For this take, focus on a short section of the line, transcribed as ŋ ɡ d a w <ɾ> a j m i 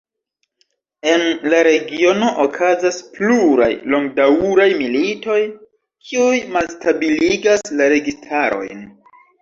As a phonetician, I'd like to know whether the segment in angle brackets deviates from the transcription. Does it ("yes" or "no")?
no